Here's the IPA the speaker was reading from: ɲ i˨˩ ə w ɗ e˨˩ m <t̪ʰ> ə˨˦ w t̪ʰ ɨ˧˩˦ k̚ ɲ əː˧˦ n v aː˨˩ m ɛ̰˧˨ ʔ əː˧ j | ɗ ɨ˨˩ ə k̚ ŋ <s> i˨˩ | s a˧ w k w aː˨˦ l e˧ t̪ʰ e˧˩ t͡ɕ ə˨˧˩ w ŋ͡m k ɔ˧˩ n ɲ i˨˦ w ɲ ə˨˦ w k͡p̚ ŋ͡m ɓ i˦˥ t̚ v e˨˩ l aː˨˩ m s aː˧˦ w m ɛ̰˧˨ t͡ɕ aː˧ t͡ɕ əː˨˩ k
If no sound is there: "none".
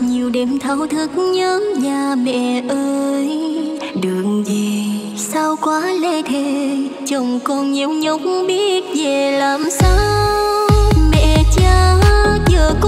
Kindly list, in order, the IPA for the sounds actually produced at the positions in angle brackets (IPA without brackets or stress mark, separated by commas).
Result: t̪ʰ, z